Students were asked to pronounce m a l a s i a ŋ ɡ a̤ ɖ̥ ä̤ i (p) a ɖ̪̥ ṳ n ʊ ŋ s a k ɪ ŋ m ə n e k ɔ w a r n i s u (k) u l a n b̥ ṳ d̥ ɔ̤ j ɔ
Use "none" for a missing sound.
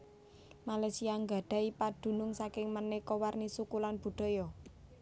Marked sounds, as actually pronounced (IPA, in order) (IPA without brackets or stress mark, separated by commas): p, k